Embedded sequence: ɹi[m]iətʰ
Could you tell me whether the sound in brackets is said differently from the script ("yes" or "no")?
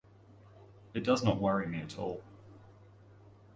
no